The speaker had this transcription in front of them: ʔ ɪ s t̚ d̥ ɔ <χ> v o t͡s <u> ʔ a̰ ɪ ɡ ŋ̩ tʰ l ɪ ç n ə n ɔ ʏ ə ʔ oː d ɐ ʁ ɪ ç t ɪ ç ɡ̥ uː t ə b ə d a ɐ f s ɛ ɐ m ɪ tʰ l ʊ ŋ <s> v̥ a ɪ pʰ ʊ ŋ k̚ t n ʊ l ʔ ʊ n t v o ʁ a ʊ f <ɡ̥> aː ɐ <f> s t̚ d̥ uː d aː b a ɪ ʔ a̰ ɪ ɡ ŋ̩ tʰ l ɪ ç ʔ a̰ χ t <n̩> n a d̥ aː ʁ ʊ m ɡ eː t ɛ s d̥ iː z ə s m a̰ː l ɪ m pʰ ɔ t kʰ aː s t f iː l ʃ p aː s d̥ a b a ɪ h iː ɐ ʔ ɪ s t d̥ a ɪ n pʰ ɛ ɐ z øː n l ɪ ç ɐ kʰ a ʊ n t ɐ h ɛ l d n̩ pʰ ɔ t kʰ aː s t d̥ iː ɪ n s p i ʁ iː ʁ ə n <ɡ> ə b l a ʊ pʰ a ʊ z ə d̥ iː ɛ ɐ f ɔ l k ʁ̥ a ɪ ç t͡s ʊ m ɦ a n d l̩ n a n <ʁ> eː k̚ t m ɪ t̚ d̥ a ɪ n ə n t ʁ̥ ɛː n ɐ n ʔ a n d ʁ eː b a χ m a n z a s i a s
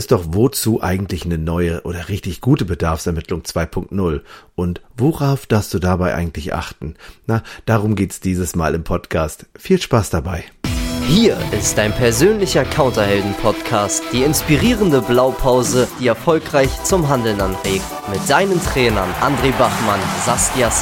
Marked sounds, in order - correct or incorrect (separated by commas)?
correct, incorrect, incorrect, incorrect, correct, correct, incorrect, correct